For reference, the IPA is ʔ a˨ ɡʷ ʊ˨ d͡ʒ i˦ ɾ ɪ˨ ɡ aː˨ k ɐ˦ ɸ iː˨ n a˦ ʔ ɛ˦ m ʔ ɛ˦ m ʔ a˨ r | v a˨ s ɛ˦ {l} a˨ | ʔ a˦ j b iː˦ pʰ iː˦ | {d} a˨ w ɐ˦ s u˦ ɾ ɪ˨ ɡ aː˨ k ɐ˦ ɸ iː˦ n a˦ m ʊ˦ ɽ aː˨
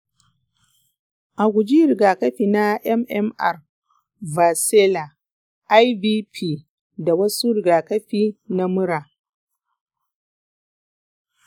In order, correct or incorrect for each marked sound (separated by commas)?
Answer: correct, correct